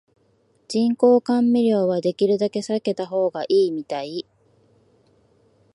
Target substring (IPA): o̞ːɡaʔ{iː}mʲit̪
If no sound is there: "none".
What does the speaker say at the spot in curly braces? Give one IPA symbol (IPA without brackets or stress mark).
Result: iː